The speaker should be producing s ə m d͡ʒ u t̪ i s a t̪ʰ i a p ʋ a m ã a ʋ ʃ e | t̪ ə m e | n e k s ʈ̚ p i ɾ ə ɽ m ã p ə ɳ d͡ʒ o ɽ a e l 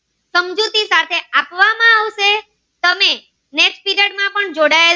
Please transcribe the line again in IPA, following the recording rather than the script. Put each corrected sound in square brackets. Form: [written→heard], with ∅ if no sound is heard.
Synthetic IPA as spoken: s ə m d͡ʒ u t̪ i s a t̪ʰ [i→e] a p ʋ a m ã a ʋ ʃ e | t̪ ə m e | n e k s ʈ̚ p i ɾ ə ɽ m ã p ə ɳ d͡ʒ o ɽ a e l